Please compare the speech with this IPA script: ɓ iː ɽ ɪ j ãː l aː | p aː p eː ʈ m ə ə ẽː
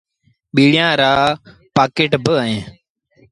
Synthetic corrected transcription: ɓ iː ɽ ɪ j ãː ɾ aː | p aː k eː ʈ b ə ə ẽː